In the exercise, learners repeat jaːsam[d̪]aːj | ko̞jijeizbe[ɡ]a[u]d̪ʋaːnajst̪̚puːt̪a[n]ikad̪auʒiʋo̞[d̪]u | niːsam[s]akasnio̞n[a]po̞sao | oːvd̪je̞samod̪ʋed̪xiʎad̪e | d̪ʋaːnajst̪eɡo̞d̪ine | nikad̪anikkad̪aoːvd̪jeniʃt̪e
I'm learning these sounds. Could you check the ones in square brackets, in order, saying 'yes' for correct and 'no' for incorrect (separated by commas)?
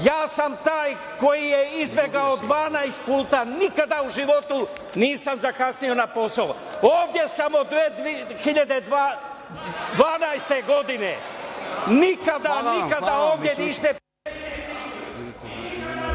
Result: no, yes, no, yes, no, no, yes